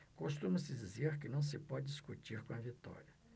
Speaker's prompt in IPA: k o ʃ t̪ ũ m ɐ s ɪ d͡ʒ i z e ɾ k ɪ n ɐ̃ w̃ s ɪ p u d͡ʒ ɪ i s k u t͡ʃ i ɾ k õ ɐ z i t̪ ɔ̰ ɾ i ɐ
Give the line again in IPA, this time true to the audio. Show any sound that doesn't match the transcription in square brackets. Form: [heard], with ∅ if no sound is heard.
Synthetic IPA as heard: k o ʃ t̪ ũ m ɐ s ɪ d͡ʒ i z e ɾ k ɪ n ɐ̃ w̃ s ɪ p [ɔ] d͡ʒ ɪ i s k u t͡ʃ i ɾ k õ ɐ [v] i t̪ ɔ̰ ɾ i ɐ